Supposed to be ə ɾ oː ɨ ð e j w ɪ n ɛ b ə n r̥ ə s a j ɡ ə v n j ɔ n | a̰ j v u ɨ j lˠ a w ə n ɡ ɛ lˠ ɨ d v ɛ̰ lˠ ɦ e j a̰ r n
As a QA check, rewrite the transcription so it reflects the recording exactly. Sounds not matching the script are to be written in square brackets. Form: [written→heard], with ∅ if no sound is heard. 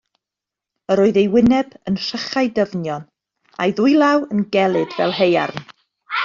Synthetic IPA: ə ɾ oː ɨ ð e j w ɪ n ɛ b ə n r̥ ə [s→χ] a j [ɡ→d] ə v n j ɔ n | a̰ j [v→ð] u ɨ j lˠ a w ə n ɡ ɛ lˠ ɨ d v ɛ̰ lˠ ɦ e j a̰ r n